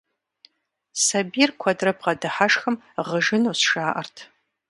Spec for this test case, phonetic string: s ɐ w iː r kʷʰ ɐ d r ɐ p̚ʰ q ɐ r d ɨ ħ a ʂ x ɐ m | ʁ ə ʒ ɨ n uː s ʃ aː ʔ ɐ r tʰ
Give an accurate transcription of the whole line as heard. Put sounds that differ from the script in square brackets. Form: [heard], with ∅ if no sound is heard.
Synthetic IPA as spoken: s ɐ [b] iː r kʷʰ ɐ d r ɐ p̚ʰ q ɐ [∅] d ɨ ħ a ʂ x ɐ m | ʁ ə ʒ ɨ n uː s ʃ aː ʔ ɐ r tʰ